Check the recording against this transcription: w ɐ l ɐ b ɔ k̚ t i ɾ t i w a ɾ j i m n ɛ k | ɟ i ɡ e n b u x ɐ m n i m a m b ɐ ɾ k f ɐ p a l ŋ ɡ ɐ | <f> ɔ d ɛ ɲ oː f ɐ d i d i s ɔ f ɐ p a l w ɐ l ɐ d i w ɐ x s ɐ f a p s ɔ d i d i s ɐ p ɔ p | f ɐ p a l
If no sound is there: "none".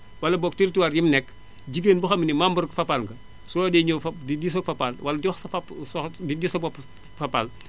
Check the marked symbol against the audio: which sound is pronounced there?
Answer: s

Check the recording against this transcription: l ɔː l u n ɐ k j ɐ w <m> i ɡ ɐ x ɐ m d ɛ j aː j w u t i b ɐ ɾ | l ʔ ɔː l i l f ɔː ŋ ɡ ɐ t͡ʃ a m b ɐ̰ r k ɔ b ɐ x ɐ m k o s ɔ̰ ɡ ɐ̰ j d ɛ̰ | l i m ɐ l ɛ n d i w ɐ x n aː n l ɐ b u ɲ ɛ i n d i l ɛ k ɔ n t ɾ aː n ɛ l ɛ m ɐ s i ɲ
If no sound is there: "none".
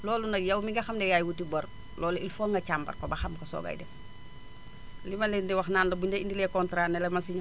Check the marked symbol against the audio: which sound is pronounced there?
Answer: m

